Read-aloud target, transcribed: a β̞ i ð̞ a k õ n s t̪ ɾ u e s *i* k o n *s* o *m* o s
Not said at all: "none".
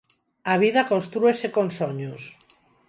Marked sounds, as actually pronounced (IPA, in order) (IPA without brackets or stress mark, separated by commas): e, s, ɲ